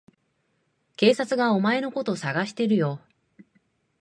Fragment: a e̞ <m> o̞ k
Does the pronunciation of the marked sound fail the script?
yes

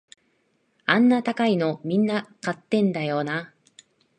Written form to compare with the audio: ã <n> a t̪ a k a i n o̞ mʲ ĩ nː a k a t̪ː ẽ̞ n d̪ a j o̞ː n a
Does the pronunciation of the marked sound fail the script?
yes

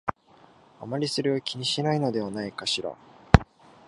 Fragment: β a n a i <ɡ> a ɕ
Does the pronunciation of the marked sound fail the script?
yes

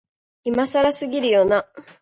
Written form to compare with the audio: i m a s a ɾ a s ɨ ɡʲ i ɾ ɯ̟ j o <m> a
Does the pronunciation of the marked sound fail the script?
yes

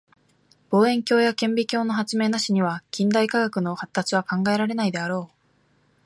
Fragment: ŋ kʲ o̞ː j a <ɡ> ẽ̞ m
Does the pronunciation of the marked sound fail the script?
yes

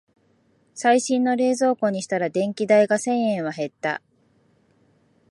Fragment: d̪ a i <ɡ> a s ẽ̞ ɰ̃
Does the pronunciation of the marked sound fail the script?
no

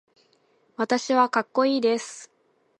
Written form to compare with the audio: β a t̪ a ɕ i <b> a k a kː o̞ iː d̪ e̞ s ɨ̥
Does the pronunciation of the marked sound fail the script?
yes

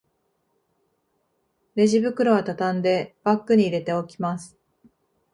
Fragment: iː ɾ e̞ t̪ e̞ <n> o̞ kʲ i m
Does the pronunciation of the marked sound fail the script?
yes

